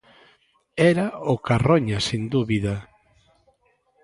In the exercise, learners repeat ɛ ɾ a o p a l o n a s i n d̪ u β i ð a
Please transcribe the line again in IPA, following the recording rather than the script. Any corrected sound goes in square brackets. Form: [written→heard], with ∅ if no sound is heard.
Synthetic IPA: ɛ ɾ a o [p→k] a [l→r] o [n→ɲ] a s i n d̪ u β i ð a